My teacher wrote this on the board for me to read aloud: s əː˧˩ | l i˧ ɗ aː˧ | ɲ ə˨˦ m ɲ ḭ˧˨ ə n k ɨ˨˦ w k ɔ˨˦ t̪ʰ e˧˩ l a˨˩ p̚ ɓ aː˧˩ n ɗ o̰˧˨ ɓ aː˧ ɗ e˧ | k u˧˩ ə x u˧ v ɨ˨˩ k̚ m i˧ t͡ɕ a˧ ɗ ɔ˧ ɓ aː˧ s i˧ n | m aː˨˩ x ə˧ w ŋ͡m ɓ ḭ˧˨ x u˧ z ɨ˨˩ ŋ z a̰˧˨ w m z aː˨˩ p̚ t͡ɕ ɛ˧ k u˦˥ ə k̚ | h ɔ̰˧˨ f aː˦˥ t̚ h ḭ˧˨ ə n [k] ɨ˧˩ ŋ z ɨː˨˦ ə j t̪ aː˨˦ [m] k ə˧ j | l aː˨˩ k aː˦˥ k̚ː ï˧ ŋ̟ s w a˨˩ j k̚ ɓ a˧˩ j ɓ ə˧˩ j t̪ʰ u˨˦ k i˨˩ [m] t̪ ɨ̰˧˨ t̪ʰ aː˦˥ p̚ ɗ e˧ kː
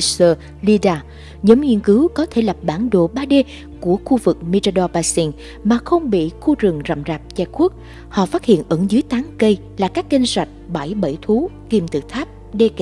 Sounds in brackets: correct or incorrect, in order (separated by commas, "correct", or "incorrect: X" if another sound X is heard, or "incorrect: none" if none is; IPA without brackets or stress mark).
incorrect: ʔ, incorrect: ŋ, correct